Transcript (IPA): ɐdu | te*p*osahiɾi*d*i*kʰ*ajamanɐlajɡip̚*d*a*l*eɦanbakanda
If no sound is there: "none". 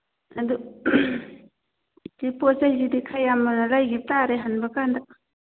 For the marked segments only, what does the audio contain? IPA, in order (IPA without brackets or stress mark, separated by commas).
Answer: p, d, kʰ, t, ɾ